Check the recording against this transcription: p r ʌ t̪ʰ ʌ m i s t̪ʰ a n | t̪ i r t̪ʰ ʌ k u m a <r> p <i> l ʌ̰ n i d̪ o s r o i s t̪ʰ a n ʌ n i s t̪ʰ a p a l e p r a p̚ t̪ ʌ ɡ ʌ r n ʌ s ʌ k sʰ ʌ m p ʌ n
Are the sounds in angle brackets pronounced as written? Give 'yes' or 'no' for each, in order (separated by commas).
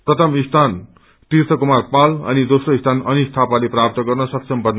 yes, no